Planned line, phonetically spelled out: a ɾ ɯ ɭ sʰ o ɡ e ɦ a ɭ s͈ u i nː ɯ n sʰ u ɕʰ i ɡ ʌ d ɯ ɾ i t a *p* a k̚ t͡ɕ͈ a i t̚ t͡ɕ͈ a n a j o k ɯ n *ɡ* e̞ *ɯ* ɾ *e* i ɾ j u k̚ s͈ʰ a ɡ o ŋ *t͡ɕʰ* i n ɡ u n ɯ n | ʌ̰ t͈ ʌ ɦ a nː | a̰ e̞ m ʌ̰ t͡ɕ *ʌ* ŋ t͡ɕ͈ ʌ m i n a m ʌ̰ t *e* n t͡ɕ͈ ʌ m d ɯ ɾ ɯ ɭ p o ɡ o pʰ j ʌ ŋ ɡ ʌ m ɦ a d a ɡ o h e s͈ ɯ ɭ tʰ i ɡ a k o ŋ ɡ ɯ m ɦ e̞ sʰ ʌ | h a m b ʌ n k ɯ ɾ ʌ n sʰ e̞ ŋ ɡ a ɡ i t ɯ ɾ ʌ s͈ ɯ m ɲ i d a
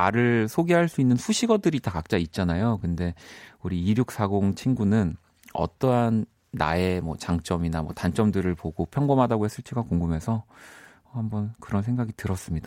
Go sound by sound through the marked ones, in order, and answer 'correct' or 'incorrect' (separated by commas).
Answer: incorrect, incorrect, incorrect, incorrect, correct, incorrect, incorrect